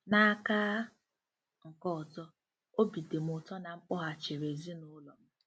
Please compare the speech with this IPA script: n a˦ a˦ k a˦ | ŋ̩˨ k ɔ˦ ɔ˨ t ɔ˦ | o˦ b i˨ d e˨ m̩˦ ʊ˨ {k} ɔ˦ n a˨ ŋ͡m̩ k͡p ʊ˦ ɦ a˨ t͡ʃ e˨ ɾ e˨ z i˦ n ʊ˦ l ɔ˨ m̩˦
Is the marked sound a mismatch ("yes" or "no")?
yes